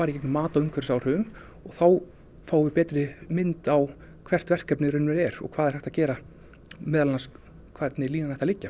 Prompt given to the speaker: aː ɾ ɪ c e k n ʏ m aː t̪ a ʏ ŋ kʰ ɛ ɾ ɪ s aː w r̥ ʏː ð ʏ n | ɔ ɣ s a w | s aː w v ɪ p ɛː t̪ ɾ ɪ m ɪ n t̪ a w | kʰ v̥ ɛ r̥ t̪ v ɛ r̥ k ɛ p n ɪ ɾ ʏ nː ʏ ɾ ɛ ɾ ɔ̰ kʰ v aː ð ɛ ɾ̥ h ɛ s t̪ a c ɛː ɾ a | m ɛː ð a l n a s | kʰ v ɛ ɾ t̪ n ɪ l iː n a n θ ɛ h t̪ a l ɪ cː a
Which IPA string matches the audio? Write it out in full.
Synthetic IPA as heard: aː ɾ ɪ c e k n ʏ m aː t̪ a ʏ ŋ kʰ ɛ ɾ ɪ s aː w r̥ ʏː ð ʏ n | ɔ ɣ θ a w | f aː w v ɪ p ɛː t̪ ɾ ɪ m ɪ n t̪ a w | kʰ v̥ ɛ r̥ t̪ v ɛ r̥ k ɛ p n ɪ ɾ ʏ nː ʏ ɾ ɛ ɾ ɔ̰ kʰ v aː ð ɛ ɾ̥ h ɛ h t̪ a c ɛː ɾ a | m ɛː ð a l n a s | kʰ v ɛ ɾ t̪ n ɪ l iː n a n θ ɛ h t̪ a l ɪ cː a